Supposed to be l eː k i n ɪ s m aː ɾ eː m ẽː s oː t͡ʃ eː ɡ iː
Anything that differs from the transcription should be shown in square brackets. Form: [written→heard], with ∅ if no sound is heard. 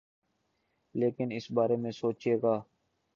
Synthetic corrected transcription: l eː k [i→ɪ] n ɪ s [m→b] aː ɾ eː m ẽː s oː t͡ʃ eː ɡ [iː→aː]